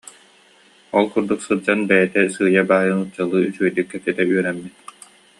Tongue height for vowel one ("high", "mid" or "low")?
mid